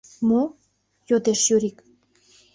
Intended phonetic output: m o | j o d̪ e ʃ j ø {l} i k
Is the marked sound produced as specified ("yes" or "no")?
no